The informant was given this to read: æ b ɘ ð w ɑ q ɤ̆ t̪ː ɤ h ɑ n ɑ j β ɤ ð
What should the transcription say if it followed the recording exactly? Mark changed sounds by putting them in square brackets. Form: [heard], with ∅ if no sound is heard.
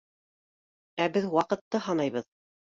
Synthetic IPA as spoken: æ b ɘ ð w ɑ q ɤ̆ t̪ː ɤ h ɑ n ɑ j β ɤ ð